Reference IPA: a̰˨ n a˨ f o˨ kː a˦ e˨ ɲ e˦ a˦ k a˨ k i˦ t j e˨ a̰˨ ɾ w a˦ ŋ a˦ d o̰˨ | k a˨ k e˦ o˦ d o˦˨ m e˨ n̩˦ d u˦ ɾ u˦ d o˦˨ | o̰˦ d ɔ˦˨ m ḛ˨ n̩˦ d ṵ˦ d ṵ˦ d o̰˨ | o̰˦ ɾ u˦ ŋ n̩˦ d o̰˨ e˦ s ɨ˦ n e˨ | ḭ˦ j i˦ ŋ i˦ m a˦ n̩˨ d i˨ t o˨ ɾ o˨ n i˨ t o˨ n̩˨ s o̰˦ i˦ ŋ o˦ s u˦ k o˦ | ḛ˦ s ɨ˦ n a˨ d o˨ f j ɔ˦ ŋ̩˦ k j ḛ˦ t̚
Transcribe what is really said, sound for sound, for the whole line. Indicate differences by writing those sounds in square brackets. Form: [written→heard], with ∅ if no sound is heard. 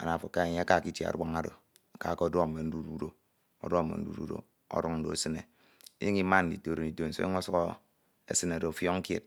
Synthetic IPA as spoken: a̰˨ n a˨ f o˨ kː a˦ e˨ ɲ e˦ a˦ k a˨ k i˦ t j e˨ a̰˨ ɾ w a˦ ŋ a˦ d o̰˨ | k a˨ k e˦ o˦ d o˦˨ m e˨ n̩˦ d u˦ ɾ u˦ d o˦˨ | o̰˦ d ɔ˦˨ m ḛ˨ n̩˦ d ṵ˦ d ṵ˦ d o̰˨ | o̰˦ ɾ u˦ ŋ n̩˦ d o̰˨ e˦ s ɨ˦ n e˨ | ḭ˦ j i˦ ŋ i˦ m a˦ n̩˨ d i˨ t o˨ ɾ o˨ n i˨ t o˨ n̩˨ s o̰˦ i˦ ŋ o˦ s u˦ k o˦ | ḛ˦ s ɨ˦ n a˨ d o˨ f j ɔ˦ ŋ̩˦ k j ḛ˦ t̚

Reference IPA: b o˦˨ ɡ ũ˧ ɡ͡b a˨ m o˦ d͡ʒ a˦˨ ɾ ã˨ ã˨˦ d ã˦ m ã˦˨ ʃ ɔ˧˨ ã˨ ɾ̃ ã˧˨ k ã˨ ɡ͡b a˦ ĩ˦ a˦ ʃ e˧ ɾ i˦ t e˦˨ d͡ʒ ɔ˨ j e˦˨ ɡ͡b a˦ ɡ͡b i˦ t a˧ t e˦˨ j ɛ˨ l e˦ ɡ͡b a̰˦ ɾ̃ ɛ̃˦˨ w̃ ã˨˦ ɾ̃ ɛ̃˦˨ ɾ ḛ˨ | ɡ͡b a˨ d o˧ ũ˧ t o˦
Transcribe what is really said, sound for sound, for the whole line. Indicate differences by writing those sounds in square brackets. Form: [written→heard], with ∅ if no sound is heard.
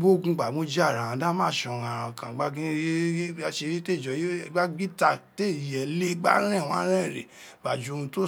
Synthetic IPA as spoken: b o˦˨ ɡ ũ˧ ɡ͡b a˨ m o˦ d͡ʒ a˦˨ ɾ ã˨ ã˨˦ d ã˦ m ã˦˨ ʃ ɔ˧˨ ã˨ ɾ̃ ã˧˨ k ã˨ ɡ͡b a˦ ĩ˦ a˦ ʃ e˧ ɾ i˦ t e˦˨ d͡ʒ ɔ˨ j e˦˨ ɡ͡b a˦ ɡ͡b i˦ t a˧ t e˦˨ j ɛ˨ l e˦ ɡ͡b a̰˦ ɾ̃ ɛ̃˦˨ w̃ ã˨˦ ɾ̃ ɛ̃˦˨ ɾ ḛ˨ | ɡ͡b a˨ [d→d͡ʒ] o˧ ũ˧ t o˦

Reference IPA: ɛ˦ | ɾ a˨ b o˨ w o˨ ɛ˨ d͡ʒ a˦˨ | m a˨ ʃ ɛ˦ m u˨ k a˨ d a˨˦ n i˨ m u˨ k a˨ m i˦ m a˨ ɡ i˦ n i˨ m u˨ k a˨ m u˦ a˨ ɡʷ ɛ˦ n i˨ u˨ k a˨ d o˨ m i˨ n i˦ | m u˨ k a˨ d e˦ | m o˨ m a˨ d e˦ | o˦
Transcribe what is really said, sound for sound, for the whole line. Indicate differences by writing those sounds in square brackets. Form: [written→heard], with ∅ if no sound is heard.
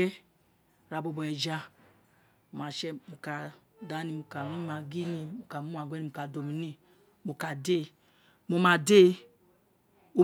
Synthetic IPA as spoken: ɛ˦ | ɾ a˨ b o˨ [w→b] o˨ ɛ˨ d͡ʒ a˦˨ | m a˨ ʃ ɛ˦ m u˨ k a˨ d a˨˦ n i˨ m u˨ k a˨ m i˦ m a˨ ɡ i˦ n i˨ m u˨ k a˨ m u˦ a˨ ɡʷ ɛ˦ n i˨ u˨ k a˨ d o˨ m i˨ n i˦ | m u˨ k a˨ d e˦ | m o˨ m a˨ d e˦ | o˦

